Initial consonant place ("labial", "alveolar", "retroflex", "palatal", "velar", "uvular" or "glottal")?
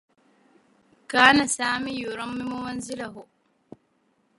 velar